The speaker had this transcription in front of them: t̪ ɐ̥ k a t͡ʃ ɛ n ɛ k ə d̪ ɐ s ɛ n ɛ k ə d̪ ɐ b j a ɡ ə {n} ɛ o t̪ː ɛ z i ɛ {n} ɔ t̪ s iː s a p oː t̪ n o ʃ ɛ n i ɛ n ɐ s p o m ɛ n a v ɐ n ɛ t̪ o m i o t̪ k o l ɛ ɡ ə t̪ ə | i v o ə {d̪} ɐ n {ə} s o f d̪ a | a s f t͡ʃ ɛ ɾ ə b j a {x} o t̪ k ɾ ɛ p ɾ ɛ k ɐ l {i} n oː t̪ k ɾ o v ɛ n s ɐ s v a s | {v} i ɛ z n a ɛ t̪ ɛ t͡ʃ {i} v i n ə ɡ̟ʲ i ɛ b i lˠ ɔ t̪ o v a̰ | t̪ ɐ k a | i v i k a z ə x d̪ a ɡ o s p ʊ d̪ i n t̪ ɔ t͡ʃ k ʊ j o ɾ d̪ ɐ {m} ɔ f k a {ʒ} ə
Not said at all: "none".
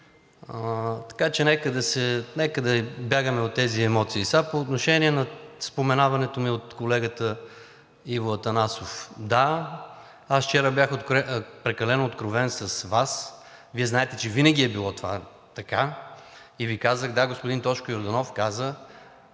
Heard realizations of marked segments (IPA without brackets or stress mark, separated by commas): m, m, t̪, a, x, ɛ, v, ɛ, n, z